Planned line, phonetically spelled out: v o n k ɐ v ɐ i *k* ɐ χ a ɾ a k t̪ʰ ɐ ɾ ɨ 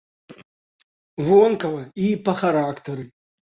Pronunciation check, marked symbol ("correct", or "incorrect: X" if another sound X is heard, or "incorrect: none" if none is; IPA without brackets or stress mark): incorrect: p